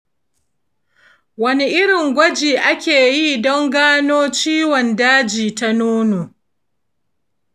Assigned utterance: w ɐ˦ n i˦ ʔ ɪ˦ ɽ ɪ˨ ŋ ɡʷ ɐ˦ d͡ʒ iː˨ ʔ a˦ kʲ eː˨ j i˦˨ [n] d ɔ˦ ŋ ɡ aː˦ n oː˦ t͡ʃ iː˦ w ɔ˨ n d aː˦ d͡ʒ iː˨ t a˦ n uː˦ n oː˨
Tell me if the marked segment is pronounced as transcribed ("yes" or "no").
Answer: no